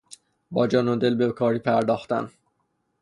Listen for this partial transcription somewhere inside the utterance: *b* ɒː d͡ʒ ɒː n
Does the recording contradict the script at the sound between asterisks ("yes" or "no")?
no